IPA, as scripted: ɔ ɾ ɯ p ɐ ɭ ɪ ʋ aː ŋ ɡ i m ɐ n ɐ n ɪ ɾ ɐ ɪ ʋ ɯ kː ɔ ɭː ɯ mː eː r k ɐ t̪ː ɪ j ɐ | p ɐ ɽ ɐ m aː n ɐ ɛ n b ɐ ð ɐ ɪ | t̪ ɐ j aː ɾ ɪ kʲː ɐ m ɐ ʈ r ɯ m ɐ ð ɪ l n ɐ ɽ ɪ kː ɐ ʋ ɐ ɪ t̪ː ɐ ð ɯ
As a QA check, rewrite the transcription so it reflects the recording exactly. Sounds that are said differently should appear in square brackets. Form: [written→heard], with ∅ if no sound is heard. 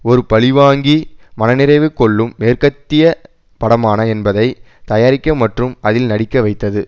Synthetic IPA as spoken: ɔ ɾ ɯ p ɐ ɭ ɪ ʋ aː ŋ ɡ i m ɐ n ɐ n ɪ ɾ ɐ ɪ ʋ ɯ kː ɔ ɭː ɯ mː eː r k ɐ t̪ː ɪ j ɐ | p ɐ ɽ ɐ m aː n ɐ ɛ n b ɐ ð ɐ ɪ | t̪ ɐ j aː ɾ ɪ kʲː ɐ m ɐ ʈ r ɯ m ɐ ð ɪ l n ɐ ɽ ɪ kː ɐ ʋ ɐ ɪ t̪ː ɐ ð ɯ

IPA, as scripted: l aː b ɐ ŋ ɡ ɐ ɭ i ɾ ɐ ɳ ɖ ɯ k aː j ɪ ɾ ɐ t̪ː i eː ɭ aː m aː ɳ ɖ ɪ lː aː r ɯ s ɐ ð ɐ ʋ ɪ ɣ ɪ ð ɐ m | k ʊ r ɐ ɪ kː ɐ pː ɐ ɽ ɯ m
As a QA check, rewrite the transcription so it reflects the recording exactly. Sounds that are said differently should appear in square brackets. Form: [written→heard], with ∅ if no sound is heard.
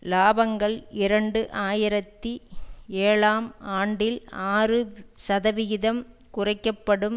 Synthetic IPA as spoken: l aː b ɐ ŋ ɡ ɐ ɭ [i→ɪ] ɾ ɐ ɳ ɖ ɯ [k→ʔ] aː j ɪ ɾ ɐ t̪ː i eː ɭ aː m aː ɳ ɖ ɪ [lː→l] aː r ɯ s ɐ ð ɐ ʋ ɪ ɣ ɪ ð ɐ m | k ʊ r ɐ ɪ kː ɐ pː ɐ ɽ ɯ m

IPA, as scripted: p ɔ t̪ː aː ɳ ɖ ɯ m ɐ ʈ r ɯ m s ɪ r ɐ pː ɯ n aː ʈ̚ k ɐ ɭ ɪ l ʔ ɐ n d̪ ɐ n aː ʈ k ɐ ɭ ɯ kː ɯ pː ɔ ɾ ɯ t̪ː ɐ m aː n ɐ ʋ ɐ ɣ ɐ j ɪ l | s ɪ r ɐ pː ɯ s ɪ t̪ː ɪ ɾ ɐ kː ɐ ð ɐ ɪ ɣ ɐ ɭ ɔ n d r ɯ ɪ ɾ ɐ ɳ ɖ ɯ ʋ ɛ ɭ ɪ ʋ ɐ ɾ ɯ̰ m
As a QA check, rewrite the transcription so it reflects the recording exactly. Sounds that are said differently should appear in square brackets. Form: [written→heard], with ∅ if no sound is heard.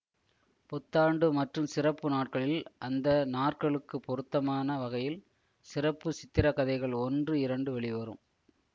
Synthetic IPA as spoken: p ɔ t̪ː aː ɳ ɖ ɯ m ɐ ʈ r ɯ m s ɪ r ɐ pː ɯ n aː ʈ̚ k ɐ ɭ ɪ l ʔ ɐ n d̪ ɐ n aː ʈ k ɐ ɭ ɯ kː ɯ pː ɔ ɾ ɯ t̪ː ɐ m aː n ɐ ʋ ɐ ɣ ɐ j ɪ l | s ɪ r ɐ pː ɯ s ɪ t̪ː ɪ ɾ ɐ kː ɐ ð ɐ ɪ ɣ ɐ ɭ ɔ n d r ɯ ɪ ɾ ɐ ɳ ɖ ɯ ʋ ɛ ɭ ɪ ʋ ɐ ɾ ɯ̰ m

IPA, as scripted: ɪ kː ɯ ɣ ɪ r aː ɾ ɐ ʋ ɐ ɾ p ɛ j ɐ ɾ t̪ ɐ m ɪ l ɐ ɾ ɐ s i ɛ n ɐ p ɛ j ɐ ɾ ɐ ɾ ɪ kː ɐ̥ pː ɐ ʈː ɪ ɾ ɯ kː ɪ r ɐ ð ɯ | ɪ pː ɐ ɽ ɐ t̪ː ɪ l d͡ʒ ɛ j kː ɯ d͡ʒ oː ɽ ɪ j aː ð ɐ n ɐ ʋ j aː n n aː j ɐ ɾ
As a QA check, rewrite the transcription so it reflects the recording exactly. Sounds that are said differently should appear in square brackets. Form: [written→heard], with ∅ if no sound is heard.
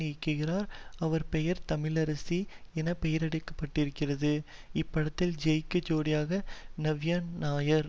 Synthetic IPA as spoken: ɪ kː ɯ ɣ ɪ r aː ɾ ɐ ʋ ɐ ɾ p ɛ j ɐ ɾ t̪ ɐ m ɪ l ɐ ɾ ɐ s i ɛ n ɐ p ɛ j ɐ ɾ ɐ [ɾ→ɽ] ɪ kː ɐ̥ pː ɐ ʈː ɪ ɾ ɯ kː ɪ r ɐ ð ɯ | ɪ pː ɐ ɽ ɐ t̪ː ɪ l d͡ʒ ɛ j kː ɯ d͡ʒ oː ɽ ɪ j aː [ð→ɣ] ɐ n ɐ ʋ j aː n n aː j ɐ ɾ

